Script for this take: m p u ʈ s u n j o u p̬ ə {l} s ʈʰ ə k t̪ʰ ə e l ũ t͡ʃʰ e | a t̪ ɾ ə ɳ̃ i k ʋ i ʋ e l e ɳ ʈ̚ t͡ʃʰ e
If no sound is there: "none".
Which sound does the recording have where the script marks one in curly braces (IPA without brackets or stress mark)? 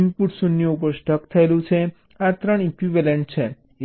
ɾ